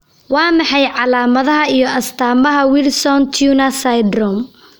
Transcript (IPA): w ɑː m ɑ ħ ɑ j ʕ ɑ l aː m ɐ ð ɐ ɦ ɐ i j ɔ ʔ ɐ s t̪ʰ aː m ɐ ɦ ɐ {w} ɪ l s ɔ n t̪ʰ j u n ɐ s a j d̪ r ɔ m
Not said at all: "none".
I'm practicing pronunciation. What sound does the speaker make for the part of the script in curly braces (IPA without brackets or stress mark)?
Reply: w